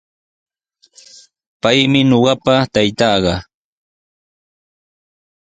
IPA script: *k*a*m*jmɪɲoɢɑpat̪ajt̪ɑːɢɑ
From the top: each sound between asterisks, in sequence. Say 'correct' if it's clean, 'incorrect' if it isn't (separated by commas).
incorrect, incorrect